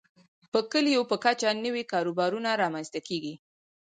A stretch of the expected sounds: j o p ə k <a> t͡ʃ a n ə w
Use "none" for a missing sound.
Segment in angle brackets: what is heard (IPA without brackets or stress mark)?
a